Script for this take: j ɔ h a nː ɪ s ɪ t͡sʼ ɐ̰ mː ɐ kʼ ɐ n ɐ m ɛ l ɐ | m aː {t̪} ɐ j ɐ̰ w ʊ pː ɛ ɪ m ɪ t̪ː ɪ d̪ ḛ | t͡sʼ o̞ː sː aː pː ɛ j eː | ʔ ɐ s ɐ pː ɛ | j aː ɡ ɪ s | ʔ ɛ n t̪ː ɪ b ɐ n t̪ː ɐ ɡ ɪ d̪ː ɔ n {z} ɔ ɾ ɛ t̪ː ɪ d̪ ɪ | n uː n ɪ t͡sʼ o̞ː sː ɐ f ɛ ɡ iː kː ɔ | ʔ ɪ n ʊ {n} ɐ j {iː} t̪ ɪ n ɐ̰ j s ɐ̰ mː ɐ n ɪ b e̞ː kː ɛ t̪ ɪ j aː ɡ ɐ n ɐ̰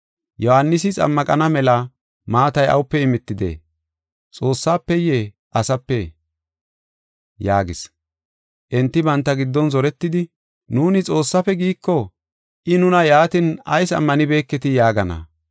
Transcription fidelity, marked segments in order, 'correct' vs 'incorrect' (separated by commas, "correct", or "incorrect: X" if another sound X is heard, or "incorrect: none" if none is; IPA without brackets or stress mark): correct, correct, correct, incorrect: aː